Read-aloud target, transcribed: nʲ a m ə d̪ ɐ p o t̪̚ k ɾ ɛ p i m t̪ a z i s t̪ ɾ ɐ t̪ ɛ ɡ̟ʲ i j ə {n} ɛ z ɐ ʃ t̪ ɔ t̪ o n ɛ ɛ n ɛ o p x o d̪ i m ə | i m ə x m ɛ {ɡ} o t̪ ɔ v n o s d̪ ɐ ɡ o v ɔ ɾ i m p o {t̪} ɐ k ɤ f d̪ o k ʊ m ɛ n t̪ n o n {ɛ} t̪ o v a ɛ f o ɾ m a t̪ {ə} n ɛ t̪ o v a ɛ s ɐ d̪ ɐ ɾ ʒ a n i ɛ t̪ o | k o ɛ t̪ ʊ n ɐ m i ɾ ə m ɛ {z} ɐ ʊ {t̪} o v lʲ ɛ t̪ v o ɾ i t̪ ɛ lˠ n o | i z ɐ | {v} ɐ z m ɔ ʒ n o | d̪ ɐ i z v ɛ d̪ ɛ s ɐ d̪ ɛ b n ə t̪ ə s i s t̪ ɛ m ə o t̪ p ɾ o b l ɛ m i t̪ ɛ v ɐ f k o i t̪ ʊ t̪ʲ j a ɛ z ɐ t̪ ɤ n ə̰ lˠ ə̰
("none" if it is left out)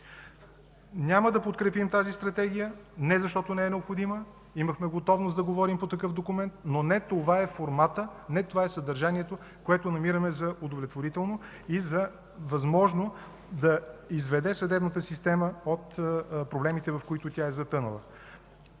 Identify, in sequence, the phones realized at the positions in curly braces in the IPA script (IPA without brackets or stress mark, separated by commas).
n, ɡ, t̪, ɛ, ə, z, d̪, v